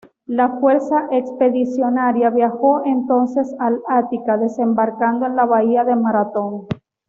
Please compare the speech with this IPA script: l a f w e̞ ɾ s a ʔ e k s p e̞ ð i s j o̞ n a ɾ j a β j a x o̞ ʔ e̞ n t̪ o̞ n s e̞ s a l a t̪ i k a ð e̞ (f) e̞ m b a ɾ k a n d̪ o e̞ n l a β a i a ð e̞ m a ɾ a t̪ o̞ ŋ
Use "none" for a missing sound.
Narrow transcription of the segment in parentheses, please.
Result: s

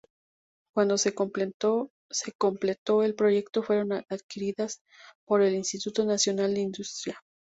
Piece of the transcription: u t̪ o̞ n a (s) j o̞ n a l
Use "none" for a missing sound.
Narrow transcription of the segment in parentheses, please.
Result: s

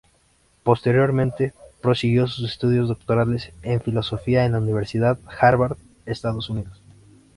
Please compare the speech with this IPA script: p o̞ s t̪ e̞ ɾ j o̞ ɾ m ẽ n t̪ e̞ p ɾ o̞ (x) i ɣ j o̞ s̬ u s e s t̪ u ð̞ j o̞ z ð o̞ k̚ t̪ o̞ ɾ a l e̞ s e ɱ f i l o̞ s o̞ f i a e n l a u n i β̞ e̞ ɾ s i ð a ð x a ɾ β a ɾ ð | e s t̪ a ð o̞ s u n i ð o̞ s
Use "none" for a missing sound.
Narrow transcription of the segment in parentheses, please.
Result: s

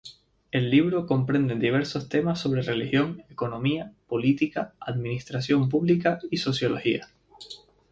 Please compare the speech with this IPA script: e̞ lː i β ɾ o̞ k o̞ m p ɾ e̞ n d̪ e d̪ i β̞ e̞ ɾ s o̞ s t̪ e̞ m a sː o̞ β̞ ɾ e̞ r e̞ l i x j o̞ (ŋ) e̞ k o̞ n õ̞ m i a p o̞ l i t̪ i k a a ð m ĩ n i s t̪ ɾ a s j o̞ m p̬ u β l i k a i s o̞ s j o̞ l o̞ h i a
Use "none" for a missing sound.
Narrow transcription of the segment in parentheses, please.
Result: ŋ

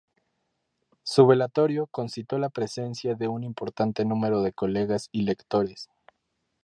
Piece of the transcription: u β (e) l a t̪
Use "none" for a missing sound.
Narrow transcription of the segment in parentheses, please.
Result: e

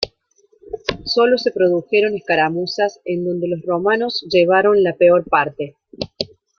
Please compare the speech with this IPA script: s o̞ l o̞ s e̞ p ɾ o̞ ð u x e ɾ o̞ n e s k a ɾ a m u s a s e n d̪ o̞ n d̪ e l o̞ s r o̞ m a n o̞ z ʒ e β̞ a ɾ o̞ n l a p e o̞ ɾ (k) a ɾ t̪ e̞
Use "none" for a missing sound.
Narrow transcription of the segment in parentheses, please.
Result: p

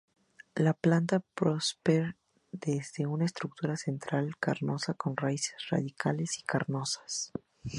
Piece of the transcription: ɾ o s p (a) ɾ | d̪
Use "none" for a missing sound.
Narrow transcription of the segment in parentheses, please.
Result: e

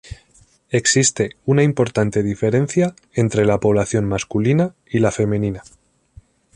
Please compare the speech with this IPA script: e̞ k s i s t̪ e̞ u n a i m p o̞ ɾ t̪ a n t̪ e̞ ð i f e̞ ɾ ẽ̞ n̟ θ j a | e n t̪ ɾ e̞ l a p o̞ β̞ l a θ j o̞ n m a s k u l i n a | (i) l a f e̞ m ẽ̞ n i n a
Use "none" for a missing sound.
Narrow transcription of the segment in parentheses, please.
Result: i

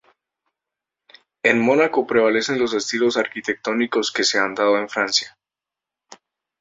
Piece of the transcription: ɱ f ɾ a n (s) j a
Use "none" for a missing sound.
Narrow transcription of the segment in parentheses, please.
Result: s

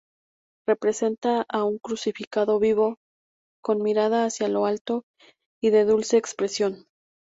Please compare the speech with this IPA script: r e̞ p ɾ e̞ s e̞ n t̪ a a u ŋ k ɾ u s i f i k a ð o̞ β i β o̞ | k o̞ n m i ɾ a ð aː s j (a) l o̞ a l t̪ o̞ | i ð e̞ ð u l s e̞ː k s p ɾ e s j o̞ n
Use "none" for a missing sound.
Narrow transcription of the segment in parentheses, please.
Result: a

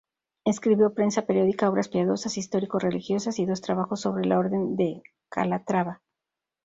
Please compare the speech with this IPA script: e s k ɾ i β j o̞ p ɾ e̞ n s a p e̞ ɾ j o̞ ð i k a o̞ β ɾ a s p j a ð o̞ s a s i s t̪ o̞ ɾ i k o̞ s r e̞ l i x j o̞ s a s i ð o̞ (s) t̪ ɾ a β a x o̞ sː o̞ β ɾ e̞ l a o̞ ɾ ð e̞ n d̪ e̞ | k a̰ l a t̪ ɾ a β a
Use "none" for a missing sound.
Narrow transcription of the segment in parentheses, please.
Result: s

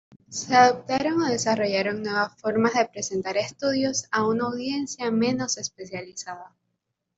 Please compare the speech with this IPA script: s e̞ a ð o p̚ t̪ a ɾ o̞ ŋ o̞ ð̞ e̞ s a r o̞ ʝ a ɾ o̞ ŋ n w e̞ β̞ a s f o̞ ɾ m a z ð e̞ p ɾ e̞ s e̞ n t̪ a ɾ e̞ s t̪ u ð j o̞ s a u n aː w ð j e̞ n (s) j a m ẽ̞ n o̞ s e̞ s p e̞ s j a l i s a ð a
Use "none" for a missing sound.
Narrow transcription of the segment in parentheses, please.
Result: s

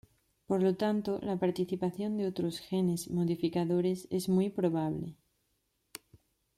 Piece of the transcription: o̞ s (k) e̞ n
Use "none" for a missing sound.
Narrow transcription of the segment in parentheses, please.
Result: x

